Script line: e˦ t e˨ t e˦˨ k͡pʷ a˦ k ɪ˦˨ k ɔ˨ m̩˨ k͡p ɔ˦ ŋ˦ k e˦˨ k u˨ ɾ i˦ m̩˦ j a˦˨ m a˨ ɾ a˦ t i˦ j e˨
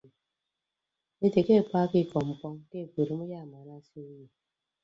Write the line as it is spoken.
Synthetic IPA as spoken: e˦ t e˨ k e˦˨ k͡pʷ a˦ k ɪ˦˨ k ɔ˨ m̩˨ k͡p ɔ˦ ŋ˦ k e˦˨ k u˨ ɾ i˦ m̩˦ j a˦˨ m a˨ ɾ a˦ s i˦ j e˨